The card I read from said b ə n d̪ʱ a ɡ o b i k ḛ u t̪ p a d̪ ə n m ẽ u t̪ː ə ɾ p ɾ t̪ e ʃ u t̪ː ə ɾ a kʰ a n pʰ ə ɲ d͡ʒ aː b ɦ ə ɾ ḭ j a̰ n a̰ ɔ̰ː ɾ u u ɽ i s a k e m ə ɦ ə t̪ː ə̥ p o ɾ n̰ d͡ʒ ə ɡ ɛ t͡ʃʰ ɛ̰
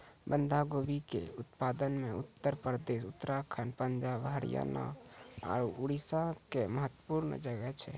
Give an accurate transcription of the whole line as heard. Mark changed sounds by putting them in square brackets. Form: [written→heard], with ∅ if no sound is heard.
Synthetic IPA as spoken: b ə n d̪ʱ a ɡ o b i k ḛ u t̪ p a d̪ ə n m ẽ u t̪ː ə ɾ p ɾ [t̪→d̪] e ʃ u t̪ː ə ɾ a kʰ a n [pʰ→p] ə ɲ d͡ʒ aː b ɦ ə ɾ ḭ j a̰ n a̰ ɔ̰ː ɾ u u ɽ i s a k e m ə ɦ ə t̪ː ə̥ p [o→u] ɾ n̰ d͡ʒ ə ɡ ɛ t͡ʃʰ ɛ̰